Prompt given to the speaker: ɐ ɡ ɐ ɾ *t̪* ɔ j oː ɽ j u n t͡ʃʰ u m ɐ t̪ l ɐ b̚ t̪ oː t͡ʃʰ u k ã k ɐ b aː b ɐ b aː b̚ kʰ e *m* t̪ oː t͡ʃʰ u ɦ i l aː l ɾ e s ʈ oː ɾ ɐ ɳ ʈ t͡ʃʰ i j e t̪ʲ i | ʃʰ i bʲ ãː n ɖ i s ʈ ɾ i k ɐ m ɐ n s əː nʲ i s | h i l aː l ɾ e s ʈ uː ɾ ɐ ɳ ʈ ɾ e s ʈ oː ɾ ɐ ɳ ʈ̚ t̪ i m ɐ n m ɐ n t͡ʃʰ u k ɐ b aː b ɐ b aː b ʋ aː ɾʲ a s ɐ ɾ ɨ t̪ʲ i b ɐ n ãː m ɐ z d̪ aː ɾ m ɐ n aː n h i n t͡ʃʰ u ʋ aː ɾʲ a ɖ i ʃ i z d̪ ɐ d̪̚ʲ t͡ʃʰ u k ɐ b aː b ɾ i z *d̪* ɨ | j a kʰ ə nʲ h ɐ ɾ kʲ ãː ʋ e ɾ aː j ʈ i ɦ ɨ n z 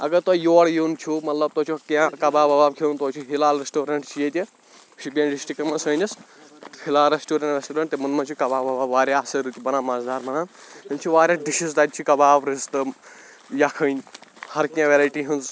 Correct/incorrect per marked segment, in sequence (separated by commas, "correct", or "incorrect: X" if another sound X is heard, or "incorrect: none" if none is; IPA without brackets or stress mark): correct, incorrect: n, incorrect: t̪